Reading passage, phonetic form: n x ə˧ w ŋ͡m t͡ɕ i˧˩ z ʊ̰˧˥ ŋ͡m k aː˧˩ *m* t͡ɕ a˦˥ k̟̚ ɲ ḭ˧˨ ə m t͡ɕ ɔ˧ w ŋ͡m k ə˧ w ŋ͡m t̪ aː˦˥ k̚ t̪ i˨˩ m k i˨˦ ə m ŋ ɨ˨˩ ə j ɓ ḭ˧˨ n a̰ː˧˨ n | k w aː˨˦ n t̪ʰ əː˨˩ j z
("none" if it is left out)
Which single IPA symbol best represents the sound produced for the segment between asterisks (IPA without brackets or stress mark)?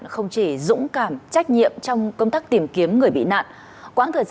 m